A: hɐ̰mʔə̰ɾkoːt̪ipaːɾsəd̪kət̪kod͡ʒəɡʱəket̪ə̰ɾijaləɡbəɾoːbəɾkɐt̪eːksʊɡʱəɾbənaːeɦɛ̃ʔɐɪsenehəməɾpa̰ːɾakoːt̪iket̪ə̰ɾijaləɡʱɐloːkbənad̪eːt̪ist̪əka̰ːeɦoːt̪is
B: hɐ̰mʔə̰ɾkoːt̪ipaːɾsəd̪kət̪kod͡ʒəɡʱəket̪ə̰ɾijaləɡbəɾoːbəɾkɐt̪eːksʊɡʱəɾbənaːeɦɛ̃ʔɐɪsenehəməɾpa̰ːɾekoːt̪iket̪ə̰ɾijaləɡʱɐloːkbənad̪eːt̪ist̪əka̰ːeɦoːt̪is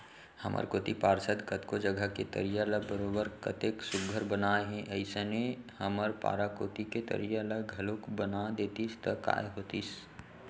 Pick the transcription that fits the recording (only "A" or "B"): A